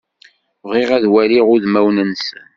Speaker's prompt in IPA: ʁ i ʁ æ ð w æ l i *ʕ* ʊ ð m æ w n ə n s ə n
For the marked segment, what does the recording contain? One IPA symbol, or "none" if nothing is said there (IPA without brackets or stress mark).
ʁ